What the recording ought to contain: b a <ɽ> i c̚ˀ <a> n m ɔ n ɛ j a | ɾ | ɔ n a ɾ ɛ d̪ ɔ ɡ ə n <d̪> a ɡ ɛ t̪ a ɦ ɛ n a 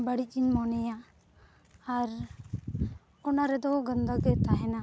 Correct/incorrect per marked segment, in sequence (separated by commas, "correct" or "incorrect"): correct, incorrect, correct